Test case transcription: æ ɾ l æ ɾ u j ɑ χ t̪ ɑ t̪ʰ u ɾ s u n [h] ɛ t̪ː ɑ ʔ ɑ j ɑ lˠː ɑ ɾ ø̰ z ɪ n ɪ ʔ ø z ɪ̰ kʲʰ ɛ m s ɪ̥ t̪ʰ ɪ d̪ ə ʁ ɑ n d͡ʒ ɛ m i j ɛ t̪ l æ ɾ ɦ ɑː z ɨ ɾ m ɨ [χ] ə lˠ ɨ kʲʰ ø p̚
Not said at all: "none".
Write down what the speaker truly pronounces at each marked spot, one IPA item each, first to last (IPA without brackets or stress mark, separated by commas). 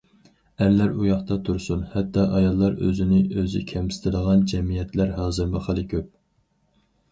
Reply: h, χ